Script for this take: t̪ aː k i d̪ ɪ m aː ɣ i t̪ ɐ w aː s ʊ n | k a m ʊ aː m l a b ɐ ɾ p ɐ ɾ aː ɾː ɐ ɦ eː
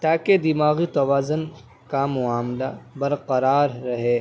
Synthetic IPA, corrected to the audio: t̪ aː k e d̪ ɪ m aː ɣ i t̪ ɐ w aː z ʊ n | k a m ʊ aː m l a b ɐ ɾ q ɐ ɾ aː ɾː ɐ ɦ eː